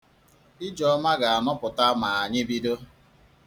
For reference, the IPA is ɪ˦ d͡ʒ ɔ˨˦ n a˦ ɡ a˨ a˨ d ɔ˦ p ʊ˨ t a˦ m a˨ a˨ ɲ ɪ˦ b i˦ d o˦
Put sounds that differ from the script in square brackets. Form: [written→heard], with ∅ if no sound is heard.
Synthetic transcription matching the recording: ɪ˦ d͡ʒ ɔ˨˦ [n→m] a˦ ɡ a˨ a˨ [d→n] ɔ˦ p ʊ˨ t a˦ m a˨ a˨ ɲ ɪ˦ b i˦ d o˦